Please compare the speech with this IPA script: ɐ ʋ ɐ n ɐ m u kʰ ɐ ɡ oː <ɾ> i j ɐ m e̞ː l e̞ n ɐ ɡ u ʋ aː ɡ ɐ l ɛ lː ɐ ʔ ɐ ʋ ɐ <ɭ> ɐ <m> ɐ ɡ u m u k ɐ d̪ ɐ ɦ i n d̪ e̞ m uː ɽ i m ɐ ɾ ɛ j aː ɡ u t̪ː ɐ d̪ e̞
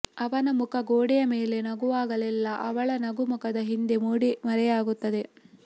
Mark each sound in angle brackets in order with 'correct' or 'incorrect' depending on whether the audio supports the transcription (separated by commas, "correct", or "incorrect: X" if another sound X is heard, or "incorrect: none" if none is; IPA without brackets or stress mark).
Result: incorrect: ɽ, correct, incorrect: n